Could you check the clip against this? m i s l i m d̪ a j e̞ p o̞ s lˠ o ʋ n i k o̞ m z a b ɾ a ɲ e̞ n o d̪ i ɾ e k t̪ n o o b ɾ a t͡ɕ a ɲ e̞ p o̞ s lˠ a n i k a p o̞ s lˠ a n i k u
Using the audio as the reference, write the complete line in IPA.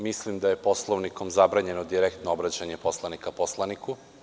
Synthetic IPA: m i s l i m d̪ a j e̞ p o̞ s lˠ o ʋ n i k o̞ m z a b ɾ a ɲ e̞ n o d̪ i ɾ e k t̪ n o o b ɾ a t͡ɕ a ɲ e̞ p o̞ s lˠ a n i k a p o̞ s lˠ a n i k u